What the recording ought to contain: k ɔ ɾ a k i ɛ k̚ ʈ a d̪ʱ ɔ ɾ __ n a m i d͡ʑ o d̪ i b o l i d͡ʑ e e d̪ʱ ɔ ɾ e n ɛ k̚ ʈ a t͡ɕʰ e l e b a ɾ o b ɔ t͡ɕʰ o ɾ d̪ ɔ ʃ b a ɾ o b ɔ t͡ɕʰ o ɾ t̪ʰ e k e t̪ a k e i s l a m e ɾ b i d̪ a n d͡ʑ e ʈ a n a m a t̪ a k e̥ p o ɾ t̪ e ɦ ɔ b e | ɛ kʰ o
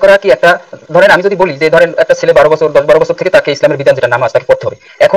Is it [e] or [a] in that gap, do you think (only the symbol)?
e